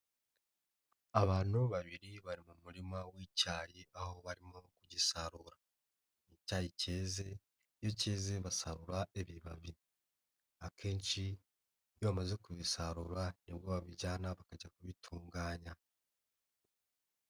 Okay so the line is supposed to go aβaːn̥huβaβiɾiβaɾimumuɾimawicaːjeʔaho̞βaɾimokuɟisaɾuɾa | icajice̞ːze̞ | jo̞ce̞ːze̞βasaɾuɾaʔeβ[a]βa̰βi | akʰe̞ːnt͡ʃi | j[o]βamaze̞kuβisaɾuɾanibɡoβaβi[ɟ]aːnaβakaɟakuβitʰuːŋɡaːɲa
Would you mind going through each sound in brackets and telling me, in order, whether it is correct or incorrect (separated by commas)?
incorrect, correct, correct